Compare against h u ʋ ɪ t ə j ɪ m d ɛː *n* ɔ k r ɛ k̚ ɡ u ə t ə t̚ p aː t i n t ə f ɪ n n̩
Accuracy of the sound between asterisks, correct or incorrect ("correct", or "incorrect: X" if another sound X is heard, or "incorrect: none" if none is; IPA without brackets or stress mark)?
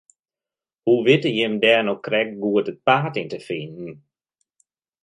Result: correct